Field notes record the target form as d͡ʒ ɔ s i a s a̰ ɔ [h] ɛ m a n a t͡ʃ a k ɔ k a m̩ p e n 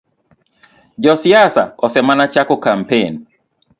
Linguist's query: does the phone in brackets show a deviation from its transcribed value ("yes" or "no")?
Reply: yes